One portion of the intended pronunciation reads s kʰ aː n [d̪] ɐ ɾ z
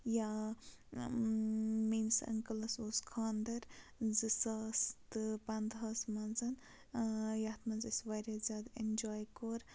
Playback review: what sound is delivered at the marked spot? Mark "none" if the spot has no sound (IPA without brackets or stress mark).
d̪